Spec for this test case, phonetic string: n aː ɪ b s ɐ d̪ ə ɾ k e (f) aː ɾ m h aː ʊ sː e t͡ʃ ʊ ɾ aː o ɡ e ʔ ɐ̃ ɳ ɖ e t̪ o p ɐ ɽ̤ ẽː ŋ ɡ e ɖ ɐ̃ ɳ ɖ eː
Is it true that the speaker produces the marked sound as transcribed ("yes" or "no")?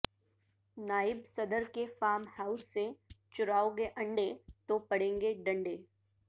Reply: yes